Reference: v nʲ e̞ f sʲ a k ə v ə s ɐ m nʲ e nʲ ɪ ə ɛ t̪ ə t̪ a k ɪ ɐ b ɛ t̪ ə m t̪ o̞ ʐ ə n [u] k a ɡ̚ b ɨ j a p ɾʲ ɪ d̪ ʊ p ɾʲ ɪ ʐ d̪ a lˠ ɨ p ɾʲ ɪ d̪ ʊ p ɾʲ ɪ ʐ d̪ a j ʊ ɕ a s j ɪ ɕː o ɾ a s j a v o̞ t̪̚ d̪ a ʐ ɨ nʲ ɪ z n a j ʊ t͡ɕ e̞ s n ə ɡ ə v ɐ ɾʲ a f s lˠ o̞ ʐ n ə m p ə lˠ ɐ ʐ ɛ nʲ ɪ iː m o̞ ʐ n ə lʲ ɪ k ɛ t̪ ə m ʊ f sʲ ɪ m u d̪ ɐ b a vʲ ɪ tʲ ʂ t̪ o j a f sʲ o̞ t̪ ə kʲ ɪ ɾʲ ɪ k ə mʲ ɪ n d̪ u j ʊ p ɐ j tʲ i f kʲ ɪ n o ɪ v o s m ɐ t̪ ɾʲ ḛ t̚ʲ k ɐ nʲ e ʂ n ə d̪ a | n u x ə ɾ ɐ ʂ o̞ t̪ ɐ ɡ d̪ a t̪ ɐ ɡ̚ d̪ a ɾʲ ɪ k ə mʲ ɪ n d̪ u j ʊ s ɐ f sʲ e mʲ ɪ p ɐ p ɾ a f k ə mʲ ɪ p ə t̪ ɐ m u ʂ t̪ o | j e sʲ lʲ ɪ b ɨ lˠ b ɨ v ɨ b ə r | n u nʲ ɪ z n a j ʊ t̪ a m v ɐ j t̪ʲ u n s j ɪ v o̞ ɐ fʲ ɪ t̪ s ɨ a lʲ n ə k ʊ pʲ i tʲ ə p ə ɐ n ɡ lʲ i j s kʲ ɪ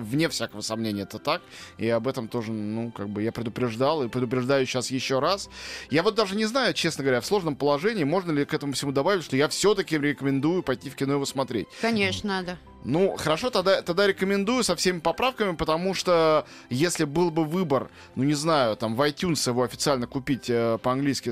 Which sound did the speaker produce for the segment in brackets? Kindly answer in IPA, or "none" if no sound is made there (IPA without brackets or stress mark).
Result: u